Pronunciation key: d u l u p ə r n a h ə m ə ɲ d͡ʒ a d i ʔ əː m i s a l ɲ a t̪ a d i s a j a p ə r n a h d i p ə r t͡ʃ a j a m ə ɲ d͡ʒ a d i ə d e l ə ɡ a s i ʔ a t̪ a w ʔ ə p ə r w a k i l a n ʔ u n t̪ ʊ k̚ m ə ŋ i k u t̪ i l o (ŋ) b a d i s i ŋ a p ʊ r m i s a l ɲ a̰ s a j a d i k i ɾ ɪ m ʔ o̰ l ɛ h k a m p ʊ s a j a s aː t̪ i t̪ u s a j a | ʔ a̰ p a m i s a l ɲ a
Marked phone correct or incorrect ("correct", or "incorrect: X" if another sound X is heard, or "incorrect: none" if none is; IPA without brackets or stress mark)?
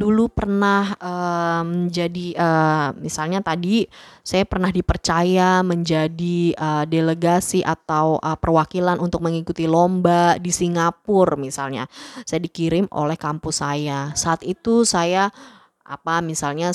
incorrect: m